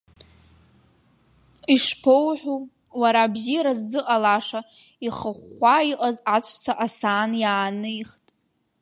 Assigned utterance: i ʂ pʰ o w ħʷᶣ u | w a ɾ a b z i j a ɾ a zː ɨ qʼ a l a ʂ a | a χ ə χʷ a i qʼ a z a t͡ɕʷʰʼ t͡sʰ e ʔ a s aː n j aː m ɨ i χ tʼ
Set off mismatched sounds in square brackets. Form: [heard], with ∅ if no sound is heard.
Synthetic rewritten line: i ʂ pʰ o w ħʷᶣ u | w a ɾ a b z i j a ɾ a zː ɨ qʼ a l a ʂ a | [i] χ ə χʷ a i qʼ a z a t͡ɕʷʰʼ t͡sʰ [a] ʔ a s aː n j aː [n] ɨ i χ tʼ